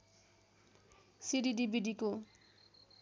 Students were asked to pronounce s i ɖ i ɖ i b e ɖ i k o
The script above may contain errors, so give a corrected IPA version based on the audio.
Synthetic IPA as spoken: s i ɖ i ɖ i b i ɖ i k o